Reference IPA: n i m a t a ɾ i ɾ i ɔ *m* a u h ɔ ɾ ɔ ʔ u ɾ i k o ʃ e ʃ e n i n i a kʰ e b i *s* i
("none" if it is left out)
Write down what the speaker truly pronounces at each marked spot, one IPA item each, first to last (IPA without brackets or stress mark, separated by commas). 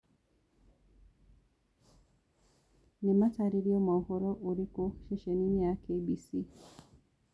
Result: m, s